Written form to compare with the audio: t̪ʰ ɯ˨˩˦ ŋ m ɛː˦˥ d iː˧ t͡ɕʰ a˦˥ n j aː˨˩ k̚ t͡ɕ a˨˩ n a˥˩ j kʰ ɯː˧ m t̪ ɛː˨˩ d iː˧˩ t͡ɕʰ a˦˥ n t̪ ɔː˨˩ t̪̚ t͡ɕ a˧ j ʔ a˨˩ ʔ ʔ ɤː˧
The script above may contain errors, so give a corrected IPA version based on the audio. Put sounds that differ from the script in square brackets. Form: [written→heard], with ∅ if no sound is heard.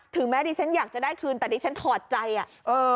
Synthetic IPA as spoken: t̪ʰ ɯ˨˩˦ ŋ m ɛː˦˥ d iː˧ t͡ɕʰ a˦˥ n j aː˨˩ k̚ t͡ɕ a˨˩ [n→d] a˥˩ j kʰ ɯː˧ [m→n] t̪ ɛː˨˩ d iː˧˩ t͡ɕʰ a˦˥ n [t̪→t̪ʰ] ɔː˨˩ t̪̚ t͡ɕ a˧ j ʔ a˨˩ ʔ ʔ ɤː˧